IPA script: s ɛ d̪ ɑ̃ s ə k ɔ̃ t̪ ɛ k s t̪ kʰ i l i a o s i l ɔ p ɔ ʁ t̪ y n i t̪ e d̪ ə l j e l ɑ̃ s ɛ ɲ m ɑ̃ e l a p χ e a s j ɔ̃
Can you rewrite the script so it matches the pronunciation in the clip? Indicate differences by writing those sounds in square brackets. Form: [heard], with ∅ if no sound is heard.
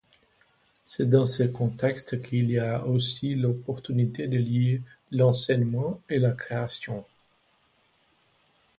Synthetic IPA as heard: s ɛ d̪ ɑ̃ s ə k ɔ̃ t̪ ɛ k s t̪ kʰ i l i a o s i l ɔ p ɔ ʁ t̪ y n i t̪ e d̪ ə l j e l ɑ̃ s ɛ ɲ m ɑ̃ e l a [k] χ e a s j ɔ̃

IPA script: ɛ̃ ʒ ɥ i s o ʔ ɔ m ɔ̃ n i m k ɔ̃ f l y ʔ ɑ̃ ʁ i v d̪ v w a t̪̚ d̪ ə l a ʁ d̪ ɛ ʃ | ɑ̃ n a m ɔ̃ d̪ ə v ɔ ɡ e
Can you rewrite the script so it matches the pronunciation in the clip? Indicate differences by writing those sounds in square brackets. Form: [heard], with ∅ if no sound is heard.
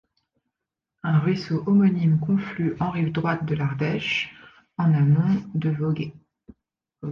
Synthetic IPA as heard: ɛ̃ [ʁ] ɥ i s o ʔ ɔ m [ɔ] n i m k ɔ̃ f l y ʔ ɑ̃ ʁ i v d̪ [ʁ] w a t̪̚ d̪ ə l a ʁ d̪ ɛ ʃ | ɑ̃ n a m ɔ̃ d̪ ə v ɔ ɡ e

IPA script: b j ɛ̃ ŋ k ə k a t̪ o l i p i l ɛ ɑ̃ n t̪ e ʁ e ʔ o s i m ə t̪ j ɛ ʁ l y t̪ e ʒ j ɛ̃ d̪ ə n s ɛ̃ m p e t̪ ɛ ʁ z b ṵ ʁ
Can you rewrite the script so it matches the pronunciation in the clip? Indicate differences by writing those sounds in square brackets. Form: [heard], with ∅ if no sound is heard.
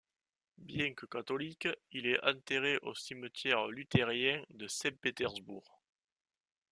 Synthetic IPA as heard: b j ɛ̃ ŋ k ə k a t̪ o l i [k] i l ɛ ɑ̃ n t̪ e ʁ e ʔ o s i m ə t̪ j ɛ ʁ l y t̪ e [ʁ] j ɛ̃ d̪ ə [∅] s ɛ̃ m p e t̪ ɛ ʁ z b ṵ ʁ

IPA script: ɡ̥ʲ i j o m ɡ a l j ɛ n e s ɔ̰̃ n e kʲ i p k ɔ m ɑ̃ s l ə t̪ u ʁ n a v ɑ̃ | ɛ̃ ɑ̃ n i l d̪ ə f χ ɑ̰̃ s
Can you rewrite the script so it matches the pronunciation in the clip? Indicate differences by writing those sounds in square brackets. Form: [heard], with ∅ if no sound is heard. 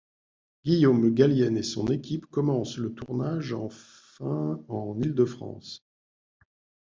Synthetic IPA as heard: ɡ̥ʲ i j o m ɡ a l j ɛ n e s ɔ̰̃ n e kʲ i p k ɔ m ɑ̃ s l ə t̪ u ʁ n a [ʒ] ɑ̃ | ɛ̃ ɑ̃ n i l d̪ ə f χ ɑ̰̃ s

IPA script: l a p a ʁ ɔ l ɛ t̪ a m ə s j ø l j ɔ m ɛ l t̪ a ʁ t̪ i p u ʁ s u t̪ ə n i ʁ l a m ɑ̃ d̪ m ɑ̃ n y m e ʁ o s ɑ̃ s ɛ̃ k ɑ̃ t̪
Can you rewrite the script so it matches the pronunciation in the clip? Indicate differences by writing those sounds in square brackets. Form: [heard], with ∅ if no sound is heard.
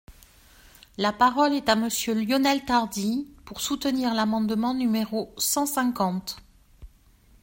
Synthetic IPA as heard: l a p a ʁ ɔ l ɛ t̪ a m ə s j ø l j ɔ [n] ɛ l t̪ a ʁ [d̪] i p u ʁ s u t̪ ə n i ʁ l a m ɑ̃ d̪ m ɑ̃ n y m e ʁ o s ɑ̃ s ɛ̃ k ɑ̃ t̪

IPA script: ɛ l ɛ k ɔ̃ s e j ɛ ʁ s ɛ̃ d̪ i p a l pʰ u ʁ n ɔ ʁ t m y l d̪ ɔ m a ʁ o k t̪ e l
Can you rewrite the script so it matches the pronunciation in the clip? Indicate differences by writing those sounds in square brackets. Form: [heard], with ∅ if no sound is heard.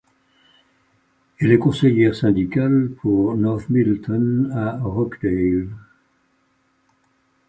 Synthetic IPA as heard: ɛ l ɛ k ɔ̃ s e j ɛ ʁ s ɛ̃ d̪ i [k] a l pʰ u ʁ n ɔ ʁ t m [i] l [t̪] ɔ [n] a ʁ [ɔ] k [d̪] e l

